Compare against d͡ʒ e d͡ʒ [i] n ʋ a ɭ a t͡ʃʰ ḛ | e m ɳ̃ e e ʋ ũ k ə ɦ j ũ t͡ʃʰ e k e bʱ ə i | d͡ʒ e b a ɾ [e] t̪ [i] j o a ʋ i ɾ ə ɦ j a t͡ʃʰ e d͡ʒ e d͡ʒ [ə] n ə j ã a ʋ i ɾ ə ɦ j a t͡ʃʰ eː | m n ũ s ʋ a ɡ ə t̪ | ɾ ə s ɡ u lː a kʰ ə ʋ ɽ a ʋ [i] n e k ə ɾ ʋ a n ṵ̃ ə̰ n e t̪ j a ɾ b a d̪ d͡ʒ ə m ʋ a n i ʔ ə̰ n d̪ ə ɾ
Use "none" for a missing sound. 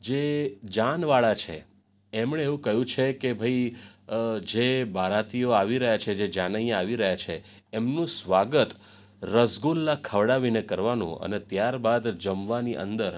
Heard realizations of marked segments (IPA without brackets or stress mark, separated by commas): a, a, i, a, i